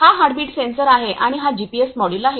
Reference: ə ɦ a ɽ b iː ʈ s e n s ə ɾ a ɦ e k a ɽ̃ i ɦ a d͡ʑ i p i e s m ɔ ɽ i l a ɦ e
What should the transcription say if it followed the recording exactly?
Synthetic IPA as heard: a ɦ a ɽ b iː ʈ s e n s ə ɾ a ɦ e ʔ a ɽ̃ i ɦ a d͡ʑ i p i e s m ɔ ɽ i l a ɦ e

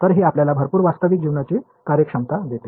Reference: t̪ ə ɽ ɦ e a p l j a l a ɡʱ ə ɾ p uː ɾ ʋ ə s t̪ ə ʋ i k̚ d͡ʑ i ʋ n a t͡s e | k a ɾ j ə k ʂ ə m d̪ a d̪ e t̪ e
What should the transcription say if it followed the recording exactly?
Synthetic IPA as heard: t̪ ə ɾ ɦ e a p l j a l a bʱ ə ɾ p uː ɾ ʋ a s t̪ ə ʋ i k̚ d͡ʑ i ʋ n a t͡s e | k a ɾ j ə k ʂ ə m t̪ a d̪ e t̪ e

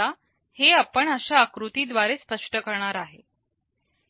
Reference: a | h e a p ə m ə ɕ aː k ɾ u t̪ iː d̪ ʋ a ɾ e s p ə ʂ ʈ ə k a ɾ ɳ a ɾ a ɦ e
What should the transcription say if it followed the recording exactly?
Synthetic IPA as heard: a | h e a p ə ɳ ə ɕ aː k ɾ u t̪ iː d̪ ʋ a ɾ e s p ə ʂ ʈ ə k ə ɾ ɳ a ɾ a ɦ e

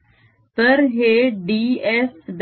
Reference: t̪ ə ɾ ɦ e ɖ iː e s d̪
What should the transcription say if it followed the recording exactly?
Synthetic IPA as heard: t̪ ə ɾ ɦ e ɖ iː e s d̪

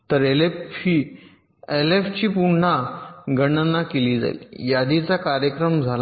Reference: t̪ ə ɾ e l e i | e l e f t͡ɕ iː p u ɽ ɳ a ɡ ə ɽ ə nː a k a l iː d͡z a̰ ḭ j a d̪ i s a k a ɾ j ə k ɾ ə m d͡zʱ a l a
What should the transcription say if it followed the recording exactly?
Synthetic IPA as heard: t̪ ə ɾ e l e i | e l e f t͡ɕ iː p u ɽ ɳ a ɡ ə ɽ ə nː a k e l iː d͡z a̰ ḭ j a d̪ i t͡s a k a ɾ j ə k ɾ ə m d͡zʱ a l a

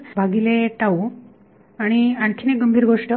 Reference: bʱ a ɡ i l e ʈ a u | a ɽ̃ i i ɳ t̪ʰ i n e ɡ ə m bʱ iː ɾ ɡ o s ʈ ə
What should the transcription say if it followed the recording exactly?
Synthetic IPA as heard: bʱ a ɡ i l e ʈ a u | a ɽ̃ i a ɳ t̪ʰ i n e ɡ ə m bʱ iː ɾ ɡ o ʂ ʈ ə

